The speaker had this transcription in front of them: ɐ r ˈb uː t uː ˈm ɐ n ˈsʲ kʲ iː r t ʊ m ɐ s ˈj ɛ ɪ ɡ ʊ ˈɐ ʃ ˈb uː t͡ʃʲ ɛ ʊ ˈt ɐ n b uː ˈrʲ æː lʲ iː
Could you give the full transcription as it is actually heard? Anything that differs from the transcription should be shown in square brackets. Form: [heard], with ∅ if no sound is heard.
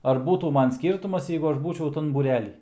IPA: ɐ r ˈb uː t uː ˈm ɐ n ˈsʲ kʲ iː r t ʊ m ɐ s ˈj ɛ ɪ ɡ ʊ ˈɐ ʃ ˈb uː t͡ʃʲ ɛ ʊ ˈt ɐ n b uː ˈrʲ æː lʲ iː